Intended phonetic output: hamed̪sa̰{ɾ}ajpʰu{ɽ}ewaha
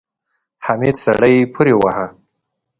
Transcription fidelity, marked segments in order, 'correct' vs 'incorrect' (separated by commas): incorrect, incorrect